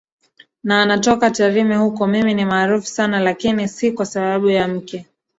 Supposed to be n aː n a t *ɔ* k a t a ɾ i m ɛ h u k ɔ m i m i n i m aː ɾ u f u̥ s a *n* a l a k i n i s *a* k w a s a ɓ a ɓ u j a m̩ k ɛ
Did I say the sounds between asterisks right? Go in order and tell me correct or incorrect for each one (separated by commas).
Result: correct, correct, incorrect